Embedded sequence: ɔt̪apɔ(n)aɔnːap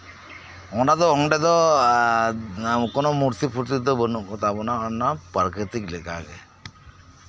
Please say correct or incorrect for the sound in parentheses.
correct